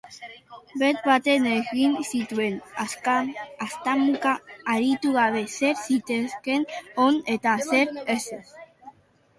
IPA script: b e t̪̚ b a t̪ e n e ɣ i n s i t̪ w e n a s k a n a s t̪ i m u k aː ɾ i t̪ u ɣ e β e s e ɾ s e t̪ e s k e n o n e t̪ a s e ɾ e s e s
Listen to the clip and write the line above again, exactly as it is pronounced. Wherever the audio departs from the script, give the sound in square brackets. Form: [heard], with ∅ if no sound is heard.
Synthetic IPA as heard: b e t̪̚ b a t̪ e n e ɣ i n s i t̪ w e n a s k a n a s t̪ [a] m u k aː ɾ i t̪ u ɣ [a] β e s e ɾ s [i] t̪ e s k e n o n e t̪ a s e ɾ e s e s